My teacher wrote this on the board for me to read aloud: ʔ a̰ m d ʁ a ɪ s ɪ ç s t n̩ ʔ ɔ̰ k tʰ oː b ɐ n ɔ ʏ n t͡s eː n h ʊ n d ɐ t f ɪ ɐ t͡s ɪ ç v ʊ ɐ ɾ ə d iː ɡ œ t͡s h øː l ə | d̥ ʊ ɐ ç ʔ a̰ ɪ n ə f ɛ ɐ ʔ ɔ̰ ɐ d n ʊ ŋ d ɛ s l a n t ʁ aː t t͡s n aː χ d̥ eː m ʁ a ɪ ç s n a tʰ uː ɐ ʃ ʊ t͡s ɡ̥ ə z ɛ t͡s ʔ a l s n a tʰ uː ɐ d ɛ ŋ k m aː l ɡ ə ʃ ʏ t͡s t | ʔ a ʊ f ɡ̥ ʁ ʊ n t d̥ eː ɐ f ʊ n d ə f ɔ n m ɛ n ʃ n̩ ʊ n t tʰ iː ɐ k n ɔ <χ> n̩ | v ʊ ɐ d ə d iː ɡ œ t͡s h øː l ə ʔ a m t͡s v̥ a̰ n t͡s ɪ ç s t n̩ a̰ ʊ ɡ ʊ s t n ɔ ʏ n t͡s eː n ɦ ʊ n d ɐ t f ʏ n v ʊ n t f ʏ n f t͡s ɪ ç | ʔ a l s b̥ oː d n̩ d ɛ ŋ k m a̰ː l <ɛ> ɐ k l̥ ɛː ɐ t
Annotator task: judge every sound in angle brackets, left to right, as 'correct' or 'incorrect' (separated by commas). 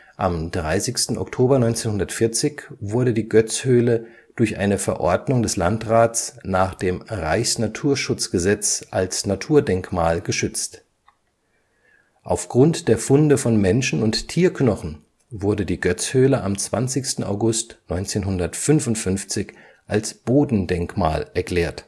correct, correct